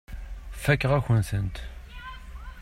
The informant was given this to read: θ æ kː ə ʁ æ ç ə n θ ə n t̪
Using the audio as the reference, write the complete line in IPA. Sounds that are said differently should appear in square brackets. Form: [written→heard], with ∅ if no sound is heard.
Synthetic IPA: [θ→f] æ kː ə ʁ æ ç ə n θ ə n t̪